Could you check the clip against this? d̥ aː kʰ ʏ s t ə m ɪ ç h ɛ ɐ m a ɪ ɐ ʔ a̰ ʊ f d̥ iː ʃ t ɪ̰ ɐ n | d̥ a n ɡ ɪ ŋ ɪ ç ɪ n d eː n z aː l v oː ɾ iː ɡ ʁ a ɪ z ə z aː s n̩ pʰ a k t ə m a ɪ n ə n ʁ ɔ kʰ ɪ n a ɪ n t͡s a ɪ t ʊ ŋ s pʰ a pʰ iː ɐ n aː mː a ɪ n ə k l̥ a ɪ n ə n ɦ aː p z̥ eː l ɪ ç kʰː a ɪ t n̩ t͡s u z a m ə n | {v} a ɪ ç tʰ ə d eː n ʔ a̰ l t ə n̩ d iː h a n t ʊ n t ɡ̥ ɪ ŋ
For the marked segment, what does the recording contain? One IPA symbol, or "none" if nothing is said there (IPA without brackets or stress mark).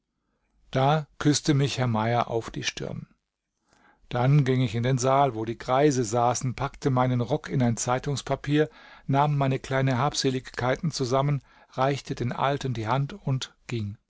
ʁ